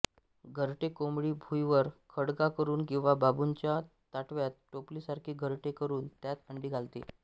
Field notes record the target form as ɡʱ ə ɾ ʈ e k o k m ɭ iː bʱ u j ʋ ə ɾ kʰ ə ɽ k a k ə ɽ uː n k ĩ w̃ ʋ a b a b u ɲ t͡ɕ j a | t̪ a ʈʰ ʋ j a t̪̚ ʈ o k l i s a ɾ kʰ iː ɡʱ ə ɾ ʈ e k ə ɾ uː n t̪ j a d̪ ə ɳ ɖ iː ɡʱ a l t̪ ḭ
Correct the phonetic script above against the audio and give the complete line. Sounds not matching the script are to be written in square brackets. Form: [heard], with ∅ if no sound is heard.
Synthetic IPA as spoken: ɡʱ ə ɾ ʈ e k o [∅] m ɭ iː bʱ u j ʋ ə ɾ kʰ ə ɽ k a k ə [ɾ] uː n k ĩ w̃ ʋ a b a b u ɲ t͡ɕ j a | t̪ a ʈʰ ʋ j a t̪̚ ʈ o [p] l i s a ɾ kʰ iː ɡʱ ə ɾ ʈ e k ə ɾ uː n t̪ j a [t̪] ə ɳ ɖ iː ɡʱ a l t̪ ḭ